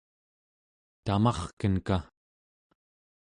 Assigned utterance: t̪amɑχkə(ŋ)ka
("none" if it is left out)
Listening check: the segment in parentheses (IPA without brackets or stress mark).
n